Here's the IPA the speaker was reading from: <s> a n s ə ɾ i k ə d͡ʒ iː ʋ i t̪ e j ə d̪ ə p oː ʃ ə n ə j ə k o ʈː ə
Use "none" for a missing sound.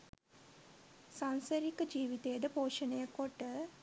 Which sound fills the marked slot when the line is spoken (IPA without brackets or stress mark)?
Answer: s